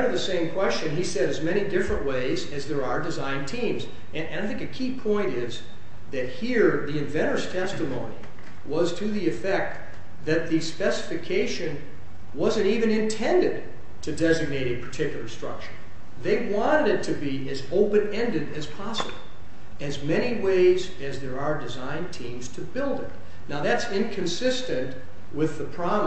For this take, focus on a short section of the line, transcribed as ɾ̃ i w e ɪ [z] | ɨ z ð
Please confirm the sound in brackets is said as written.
yes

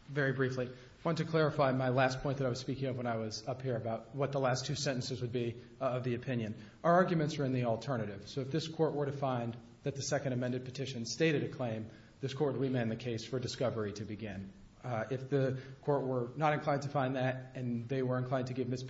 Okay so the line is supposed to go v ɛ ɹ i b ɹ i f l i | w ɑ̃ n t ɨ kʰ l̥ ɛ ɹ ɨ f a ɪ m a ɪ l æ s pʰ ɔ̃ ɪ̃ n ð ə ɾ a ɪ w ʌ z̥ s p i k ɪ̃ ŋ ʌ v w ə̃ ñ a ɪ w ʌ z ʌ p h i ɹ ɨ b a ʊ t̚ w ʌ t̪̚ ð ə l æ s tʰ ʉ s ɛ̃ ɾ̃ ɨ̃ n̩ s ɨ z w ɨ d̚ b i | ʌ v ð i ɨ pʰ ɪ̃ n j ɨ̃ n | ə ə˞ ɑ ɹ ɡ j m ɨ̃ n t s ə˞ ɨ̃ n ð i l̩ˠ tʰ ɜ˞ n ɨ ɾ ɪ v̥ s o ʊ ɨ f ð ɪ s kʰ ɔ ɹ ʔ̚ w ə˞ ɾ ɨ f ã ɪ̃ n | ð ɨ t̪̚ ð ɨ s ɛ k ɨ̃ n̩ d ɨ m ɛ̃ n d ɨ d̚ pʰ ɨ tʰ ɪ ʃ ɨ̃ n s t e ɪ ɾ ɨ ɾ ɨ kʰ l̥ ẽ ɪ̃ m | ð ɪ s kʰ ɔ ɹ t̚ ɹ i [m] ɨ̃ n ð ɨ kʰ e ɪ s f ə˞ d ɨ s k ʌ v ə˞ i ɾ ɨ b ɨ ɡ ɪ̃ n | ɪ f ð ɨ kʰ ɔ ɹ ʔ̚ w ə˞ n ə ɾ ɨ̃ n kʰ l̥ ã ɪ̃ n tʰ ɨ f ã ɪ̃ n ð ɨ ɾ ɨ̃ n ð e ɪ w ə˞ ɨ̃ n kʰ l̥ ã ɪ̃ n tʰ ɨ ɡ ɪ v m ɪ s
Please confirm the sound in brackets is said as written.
yes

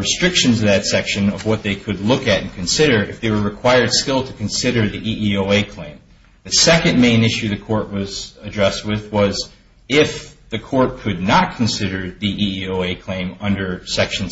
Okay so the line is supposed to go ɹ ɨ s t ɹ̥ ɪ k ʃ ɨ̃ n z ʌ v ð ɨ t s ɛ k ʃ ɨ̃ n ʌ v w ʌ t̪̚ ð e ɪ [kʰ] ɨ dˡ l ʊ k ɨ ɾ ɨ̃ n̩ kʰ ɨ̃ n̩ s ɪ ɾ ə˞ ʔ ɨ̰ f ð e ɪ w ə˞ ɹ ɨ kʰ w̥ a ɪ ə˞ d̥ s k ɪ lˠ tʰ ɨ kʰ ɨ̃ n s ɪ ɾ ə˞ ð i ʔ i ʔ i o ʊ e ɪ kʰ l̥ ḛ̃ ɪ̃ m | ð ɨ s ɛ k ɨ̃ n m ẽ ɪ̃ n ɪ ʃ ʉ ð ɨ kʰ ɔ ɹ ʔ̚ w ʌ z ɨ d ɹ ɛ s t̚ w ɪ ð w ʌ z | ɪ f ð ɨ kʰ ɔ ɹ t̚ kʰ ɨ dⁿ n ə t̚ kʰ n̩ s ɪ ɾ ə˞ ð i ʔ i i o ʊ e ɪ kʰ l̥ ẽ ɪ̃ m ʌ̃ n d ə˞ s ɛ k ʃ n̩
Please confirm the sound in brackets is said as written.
yes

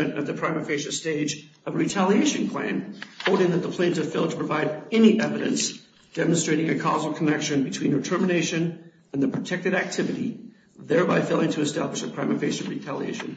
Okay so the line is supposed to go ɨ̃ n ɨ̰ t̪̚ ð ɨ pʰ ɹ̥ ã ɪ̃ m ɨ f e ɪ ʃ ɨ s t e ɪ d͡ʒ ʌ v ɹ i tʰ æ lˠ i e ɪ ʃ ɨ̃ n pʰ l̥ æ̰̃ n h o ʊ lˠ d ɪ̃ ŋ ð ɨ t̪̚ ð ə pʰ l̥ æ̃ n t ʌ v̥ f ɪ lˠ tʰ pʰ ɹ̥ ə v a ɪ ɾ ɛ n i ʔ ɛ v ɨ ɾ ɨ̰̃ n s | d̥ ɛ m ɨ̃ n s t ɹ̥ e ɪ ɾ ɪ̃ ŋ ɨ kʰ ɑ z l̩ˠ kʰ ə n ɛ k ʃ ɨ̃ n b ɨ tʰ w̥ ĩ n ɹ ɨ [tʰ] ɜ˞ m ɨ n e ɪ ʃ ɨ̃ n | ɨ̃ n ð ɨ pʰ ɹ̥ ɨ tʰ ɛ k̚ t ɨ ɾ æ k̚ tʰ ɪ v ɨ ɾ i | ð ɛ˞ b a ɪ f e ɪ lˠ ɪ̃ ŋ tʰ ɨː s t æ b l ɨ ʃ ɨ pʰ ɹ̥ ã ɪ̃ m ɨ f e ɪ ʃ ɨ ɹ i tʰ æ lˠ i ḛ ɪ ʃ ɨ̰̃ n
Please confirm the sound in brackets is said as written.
yes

